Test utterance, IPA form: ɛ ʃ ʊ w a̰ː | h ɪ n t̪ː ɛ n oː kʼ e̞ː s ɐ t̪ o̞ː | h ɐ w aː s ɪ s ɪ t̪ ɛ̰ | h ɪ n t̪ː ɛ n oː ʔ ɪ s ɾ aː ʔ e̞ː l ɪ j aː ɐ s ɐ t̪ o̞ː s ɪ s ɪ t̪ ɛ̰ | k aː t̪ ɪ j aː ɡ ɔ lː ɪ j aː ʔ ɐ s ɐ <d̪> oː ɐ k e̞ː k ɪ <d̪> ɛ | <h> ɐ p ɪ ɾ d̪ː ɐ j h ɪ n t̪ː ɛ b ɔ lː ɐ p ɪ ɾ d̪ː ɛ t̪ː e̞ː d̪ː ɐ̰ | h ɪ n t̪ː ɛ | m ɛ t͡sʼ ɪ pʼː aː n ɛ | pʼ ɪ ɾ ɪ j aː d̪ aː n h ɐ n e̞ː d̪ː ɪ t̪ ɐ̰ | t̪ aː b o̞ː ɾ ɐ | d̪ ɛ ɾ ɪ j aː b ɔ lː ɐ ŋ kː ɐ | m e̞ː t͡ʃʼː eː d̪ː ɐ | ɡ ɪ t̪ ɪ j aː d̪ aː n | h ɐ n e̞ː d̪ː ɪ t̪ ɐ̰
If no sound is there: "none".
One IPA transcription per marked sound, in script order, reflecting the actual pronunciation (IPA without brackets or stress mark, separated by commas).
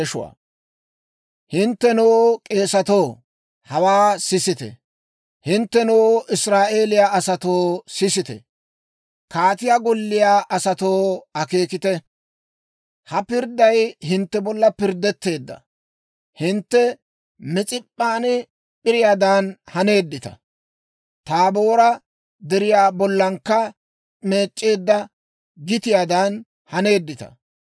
t̪, t̪, h